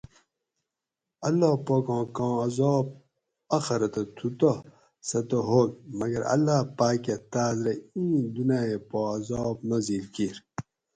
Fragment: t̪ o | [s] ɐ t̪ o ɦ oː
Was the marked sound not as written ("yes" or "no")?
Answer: no